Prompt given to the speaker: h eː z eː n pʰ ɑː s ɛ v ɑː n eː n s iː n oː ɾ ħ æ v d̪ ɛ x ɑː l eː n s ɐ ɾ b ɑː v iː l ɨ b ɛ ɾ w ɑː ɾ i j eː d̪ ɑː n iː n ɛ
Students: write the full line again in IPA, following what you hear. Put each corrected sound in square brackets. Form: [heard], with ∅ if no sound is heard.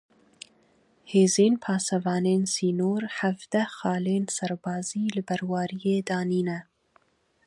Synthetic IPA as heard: h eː z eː n pʰ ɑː s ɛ v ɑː n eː n s iː n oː ɾ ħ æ v d̪ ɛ x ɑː l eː n s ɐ ɾ b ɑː [z] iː l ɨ b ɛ ɾ w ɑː ɾ i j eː d̪ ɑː n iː n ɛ

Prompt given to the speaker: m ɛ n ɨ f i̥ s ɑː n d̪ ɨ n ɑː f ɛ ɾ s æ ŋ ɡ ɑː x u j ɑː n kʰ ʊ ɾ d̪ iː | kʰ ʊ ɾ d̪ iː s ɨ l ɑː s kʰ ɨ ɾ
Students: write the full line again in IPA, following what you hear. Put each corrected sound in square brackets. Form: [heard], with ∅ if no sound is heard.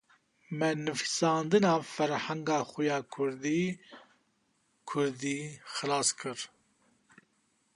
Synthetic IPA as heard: m ɛ n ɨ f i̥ s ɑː n d̪ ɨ n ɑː f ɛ ɾ [h] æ ŋ ɡ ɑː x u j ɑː [∅] kʰ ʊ ɾ d̪ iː | kʰ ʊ ɾ d̪ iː [x] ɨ l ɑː s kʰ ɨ ɾ

